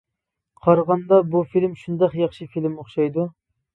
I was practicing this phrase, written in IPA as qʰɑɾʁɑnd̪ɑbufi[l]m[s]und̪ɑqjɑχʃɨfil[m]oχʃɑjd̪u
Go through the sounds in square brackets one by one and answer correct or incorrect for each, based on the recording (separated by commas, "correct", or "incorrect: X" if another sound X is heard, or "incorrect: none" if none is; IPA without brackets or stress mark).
correct, incorrect: ʃ, correct